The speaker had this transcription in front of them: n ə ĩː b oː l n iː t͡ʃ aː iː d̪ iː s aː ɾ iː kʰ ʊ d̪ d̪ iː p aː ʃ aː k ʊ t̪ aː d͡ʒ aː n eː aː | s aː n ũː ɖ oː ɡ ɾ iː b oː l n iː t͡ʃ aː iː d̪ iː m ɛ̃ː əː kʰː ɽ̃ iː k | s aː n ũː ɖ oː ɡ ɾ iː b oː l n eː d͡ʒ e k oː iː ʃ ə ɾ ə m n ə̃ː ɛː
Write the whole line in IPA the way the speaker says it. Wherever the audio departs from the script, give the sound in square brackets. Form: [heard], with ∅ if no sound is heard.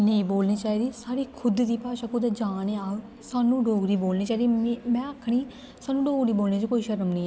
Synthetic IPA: n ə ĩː b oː l n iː t͡ʃ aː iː d̪ iː s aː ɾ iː kʰ ʊ d̪ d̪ iː p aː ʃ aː k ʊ [d̪] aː d͡ʒ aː n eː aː | s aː n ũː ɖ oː ɡ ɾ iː b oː l n iː t͡ʃ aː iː d̪ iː m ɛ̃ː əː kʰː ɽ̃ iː [∅] | s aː n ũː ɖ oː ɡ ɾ iː b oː l n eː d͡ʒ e k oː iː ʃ ə ɾ ə m n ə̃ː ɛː